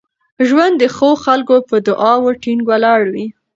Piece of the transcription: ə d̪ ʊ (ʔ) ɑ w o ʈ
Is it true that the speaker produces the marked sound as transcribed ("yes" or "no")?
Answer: yes